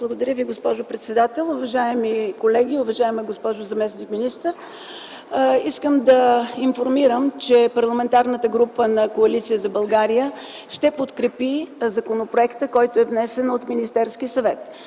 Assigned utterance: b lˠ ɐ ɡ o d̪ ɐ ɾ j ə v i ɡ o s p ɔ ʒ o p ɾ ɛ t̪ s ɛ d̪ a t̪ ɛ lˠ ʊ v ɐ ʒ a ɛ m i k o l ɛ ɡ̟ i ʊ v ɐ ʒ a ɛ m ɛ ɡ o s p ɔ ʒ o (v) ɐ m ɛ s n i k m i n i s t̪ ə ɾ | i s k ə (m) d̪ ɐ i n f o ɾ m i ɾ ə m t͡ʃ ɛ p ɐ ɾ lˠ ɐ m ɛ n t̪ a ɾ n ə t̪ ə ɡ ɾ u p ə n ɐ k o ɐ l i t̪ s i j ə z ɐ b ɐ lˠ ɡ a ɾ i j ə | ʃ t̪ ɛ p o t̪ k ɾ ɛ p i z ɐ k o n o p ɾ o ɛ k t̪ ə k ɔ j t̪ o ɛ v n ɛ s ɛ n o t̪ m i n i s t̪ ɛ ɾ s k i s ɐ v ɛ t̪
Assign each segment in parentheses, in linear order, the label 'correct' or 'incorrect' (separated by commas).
incorrect, correct